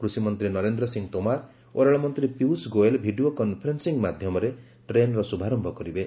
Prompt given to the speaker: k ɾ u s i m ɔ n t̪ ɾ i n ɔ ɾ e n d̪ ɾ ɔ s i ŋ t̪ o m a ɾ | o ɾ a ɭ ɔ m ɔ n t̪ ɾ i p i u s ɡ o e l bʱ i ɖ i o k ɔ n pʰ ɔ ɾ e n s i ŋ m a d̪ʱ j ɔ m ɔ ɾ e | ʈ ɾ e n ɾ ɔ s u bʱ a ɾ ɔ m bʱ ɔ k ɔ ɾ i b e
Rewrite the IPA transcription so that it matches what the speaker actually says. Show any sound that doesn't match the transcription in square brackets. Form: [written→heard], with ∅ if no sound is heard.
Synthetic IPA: k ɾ u s i m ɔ n t̪ ɾ i n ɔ ɾ e n d̪ ɾ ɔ s i ŋ t̪ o m a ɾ | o ɾ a ɭ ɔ m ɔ n t̪ ɾ i p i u s ɡ o e l bʱ i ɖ i o k ɔ n pʰ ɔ ɾ e n s i ŋ m a d̪ʱ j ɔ m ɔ ɾ e | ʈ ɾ e n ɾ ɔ s u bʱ a ɾ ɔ m bʱ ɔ k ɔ ɾ i b e

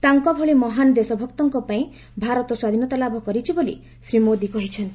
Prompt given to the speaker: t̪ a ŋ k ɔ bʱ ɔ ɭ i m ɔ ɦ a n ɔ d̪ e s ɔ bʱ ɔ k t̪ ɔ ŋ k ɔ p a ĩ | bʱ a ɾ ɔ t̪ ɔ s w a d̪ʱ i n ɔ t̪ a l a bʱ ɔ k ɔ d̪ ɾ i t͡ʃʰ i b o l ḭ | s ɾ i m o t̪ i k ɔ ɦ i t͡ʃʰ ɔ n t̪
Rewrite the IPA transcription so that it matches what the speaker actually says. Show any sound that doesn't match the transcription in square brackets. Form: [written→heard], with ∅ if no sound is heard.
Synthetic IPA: t̪ a ŋ k ɔ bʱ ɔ ɭ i m ɔ ɦ a n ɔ d̪ e s ɔ bʱ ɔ k t̪ ɔ ŋ k ɔ p a ĩ | bʱ a ɾ ɔ t̪ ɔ s w a d̪ʱ i n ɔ t̪ a l a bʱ ɔ k ɔ [d̪→∅] ɾ i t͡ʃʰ i b o l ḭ | s ɾ i m o [t̪→d̪] i k ɔ ɦ i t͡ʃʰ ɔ n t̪

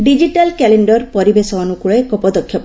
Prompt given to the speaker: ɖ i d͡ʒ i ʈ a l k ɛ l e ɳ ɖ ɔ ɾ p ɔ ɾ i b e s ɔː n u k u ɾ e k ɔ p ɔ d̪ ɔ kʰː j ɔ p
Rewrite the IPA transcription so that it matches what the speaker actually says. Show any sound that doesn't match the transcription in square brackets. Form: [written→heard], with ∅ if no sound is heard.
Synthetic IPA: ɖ i d͡ʒ i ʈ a l k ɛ l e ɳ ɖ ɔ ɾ p ɔ ɾ i b e s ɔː n u k u [ɾ→ɭ] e k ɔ p ɔ d̪ ɔ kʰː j ɔ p

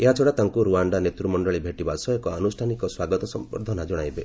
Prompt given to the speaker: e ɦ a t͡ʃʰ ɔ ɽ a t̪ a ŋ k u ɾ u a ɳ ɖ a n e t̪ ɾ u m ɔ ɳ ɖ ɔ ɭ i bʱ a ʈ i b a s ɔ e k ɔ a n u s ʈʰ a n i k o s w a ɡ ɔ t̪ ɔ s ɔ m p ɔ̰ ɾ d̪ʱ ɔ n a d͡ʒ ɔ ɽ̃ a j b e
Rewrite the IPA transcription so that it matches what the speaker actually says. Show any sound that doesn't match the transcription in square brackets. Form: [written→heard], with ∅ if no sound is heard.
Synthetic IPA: e ɦ a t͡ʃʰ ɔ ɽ a t̪ a ŋ k u ɾ u a ɳ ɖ a n e t̪ ɾ u m ɔ ɳ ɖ ɔ ɭ i bʱ [a→e] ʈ i b a s ɔ e k ɔ a n u s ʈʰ a n i k [o→ɔ] s w a ɡ ɔ t̪ ɔ s ɔ m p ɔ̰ ɾ d̪ʱ ɔ n a d͡ʒ ɔ ɽ̃ a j b e

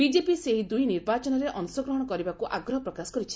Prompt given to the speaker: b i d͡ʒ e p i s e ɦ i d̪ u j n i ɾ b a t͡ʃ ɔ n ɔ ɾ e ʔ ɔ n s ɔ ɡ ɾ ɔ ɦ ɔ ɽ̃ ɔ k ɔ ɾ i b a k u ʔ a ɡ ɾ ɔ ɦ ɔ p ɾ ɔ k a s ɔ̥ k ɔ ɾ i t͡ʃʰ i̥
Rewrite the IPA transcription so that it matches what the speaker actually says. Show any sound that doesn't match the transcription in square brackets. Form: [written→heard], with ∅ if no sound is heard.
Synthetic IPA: b i d͡ʒ e p i s e ɦ i d̪ u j n i ɾ b a t͡ʃ ɔ n ɔ ɾ e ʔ ɔ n s ɔ ɡ ɾ ɔ ɦ ɔ ɽ̃ ɔ k ɔ ɾ i b a k u ʔ a ɡ ɾ ɔ ɦ ɔ p ɾ ɔ k a s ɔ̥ k ɔ ɾ i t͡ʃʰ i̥

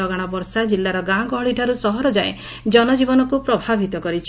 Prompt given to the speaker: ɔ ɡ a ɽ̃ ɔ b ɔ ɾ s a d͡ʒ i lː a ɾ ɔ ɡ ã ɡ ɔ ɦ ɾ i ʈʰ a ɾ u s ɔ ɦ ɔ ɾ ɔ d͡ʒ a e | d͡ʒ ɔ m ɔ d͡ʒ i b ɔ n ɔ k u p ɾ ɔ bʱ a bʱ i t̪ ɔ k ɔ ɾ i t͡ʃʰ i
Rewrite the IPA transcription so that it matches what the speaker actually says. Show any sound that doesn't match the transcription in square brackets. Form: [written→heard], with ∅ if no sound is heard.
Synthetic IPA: ɔ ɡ a ɽ̃ ɔ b ɔ ɾ s a d͡ʒ i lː a ɾ ɔ ɡ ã ɡ ɔ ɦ [ɾ→ɭ] i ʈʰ a ɾ u s ɔ ɦ ɔ ɾ ɔ d͡ʒ a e | d͡ʒ ɔ [m→n] ɔ d͡ʒ i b ɔ n ɔ k u p ɾ ɔ bʱ a bʱ i t̪ ɔ k ɔ ɾ i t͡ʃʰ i

